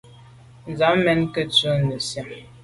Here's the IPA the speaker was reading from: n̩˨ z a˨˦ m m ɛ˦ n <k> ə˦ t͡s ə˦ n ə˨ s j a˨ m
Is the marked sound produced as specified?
yes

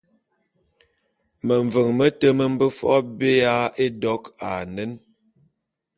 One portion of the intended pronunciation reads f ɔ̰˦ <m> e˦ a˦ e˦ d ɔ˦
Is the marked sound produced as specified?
no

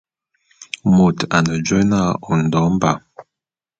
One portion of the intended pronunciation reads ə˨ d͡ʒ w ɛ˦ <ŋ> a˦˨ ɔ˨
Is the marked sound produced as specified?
no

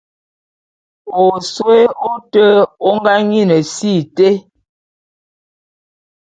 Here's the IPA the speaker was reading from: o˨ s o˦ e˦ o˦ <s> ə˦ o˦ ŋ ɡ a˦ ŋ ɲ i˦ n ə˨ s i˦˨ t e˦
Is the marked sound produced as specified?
no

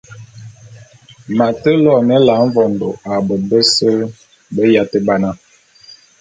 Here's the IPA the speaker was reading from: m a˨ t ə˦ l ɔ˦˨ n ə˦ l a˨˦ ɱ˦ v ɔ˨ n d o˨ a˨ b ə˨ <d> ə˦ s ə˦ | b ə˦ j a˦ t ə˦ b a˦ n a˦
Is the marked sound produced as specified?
no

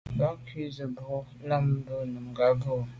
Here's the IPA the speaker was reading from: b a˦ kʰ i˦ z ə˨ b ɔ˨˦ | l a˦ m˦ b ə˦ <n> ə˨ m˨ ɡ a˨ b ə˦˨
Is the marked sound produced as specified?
yes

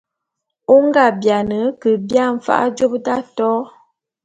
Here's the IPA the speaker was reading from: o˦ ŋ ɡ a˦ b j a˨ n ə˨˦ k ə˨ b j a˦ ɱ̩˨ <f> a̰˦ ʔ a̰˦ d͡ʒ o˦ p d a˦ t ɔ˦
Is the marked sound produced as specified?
yes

